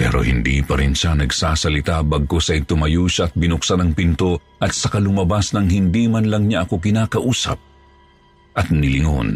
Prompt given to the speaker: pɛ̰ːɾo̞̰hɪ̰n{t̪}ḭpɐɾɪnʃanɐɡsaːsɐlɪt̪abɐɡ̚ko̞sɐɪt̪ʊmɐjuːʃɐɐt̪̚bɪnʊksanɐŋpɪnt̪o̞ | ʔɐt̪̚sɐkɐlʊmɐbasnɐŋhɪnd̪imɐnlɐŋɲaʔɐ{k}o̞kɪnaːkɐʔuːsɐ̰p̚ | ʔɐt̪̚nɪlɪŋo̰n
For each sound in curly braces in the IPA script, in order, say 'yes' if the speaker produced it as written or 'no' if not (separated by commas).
no, yes